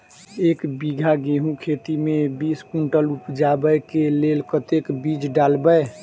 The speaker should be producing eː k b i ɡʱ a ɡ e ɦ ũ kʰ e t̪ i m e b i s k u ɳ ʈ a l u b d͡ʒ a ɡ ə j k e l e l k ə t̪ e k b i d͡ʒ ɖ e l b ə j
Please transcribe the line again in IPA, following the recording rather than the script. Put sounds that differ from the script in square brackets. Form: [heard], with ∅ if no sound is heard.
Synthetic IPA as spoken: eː k b i ɡʱ a ɡ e ɦ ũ kʰ e t̪ i m e b i s k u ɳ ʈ [ə] l u [p] d͡ʒ a [b] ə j k e l e l k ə t̪ e k b i d͡ʒ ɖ [a] l b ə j